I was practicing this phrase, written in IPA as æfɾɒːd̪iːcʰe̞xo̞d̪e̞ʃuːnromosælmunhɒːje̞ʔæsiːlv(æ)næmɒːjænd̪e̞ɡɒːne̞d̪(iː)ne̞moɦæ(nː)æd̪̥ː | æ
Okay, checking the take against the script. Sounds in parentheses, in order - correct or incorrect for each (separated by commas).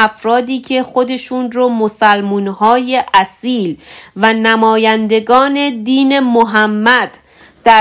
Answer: correct, correct, incorrect